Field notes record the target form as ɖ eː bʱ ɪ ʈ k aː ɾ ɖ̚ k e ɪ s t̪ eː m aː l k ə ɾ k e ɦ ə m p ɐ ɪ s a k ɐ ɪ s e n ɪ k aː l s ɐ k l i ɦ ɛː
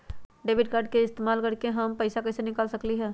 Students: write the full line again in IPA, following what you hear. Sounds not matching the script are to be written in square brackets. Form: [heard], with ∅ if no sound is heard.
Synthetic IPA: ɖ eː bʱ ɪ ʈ k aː ɾ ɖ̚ k e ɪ s t̪ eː m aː l k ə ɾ k e ɦ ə m p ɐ ɪ s a k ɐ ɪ s e n ɪ k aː l s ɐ k l i ɦ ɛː